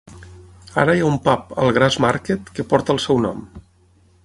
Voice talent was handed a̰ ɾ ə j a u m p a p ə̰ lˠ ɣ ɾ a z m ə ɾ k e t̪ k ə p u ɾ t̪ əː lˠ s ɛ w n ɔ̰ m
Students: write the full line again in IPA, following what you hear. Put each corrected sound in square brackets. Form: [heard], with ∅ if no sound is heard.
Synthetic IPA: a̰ ɾ ə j a u m p a p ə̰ lˠ ɣ ɾ a z m [a] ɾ k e t̪ k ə p [ɔ] ɾ t̪ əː lˠ s ɛ w n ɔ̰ m